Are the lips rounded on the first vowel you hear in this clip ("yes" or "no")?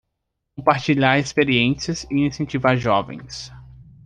yes